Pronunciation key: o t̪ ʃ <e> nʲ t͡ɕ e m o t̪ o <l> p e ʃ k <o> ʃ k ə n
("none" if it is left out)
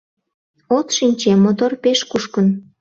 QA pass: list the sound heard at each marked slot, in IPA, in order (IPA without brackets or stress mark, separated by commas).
i, r, u